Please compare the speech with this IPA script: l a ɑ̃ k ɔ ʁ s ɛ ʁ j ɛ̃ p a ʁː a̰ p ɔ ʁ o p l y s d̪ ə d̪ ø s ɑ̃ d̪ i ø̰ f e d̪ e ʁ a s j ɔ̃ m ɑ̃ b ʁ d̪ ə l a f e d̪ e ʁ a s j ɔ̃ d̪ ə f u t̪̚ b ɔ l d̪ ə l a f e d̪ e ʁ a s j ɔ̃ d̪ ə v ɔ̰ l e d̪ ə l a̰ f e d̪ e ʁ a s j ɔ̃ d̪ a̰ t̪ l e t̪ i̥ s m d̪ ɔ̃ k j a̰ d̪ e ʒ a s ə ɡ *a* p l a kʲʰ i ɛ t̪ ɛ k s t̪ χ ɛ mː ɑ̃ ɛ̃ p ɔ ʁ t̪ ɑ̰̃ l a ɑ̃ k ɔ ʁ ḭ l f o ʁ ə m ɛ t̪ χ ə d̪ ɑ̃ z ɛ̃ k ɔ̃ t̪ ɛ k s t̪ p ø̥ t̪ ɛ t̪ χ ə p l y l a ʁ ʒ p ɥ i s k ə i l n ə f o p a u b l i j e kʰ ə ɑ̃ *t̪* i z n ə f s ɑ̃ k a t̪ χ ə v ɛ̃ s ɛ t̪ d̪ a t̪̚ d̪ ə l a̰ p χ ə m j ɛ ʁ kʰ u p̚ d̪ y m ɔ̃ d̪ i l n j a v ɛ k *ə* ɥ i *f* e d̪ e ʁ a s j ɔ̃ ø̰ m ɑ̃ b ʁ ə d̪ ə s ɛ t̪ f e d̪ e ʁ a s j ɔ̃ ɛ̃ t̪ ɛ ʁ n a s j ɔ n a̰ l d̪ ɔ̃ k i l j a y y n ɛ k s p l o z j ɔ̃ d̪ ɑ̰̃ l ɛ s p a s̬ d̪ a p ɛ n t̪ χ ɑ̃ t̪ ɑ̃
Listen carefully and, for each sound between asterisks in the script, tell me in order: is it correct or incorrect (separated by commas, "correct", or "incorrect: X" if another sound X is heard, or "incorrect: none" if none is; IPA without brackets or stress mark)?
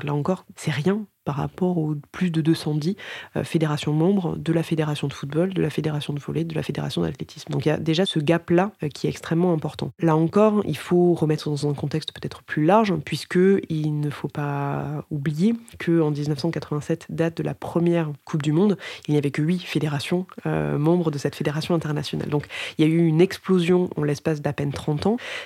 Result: correct, incorrect: d̪, correct, correct